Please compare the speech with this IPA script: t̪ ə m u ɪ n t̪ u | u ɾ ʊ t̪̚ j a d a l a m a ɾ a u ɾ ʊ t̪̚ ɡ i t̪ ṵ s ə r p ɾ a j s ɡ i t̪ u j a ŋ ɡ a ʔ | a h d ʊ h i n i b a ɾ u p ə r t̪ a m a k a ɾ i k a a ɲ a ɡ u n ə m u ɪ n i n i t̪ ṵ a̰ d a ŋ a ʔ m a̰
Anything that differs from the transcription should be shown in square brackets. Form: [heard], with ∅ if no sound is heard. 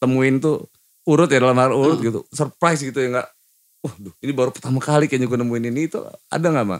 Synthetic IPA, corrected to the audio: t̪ ə m u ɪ n t̪ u | u ɾ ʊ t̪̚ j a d a l a m a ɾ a u ɾ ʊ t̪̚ ɡ i t̪ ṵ s ə r p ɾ a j s ɡ i t̪ u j a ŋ ɡ a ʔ | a h d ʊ h i n i b a ɾ u p ə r t̪ a m a k a [l] i k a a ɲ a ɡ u n ə m u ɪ n i n i t̪ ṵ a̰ d a ŋ a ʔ m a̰